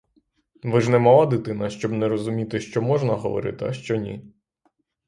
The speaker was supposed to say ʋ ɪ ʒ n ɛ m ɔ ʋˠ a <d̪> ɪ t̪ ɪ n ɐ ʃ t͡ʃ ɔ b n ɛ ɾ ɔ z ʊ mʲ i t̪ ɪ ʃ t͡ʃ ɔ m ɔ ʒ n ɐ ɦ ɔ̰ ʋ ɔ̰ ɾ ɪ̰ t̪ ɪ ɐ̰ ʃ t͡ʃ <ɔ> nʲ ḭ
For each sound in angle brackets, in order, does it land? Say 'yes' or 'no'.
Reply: yes, yes

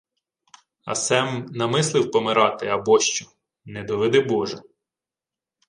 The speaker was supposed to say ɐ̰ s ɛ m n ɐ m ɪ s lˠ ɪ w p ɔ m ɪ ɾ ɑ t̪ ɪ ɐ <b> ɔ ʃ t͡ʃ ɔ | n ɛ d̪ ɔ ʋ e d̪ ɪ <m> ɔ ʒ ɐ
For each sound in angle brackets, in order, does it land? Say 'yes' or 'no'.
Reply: yes, no

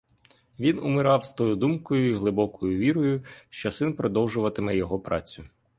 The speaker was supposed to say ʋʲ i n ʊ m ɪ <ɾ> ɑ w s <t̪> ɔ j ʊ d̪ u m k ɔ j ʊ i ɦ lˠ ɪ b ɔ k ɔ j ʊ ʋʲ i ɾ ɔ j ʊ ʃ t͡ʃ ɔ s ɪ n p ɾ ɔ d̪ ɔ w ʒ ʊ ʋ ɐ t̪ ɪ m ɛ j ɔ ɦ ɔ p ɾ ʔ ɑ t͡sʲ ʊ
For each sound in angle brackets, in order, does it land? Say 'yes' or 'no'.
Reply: yes, yes

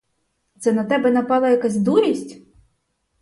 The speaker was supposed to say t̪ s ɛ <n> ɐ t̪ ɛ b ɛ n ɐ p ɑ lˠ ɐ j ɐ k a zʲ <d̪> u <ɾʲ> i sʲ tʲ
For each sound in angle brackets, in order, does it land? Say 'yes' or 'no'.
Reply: yes, yes, yes

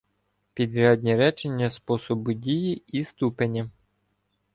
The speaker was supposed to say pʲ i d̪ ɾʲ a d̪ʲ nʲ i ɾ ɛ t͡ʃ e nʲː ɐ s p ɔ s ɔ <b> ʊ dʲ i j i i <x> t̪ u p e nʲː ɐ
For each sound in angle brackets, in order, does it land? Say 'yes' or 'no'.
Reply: yes, no

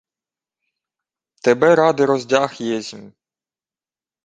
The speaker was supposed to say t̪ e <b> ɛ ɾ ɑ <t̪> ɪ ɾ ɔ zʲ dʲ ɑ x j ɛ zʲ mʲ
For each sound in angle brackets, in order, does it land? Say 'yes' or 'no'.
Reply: yes, no

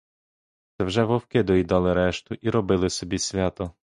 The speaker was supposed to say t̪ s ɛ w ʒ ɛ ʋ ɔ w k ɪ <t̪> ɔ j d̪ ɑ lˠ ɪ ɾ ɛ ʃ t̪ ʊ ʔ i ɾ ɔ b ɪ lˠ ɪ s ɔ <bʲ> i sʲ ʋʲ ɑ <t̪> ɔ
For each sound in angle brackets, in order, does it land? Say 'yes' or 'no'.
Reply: no, yes, yes

